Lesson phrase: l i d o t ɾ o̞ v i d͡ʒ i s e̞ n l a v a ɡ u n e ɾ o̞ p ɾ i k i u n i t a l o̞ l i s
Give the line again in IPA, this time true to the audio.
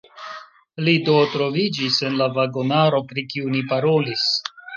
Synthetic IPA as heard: l i d o t ɾ o̞ v i d͡ʒ i s e̞ n l a v a ɡ o n a ɾ o̞ p ɾ i k i u n i p a ɾ o̞ l i s